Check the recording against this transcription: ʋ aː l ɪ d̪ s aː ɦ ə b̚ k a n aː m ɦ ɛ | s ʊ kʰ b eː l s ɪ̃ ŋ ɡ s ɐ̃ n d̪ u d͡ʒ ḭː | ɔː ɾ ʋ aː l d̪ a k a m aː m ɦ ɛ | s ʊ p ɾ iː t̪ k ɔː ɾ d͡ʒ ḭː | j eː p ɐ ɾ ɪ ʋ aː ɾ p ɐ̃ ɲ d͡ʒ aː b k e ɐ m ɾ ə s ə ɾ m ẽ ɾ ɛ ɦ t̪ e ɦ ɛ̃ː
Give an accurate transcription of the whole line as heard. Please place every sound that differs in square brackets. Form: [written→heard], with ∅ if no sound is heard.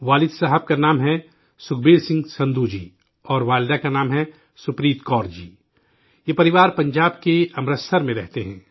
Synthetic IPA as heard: ʋ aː l ɪ d̪ s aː ɦ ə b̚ k a n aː m ɦ ɛ | s ʊ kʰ b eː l s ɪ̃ ŋ ɡ s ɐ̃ n d̪ u d͡ʒ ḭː | ɔː ɾ ʋ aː l d̪ a k a [m→n] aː m ɦ ɛ | s ʊ p ɾ iː t̪ k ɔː ɾ d͡ʒ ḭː | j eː p ɐ ɾ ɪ ʋ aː ɾ p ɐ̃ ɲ d͡ʒ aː b k e ɐ m ɾ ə s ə ɾ m ẽ ɾ ɛ ɦ t̪ e ɦ ɛ̃ː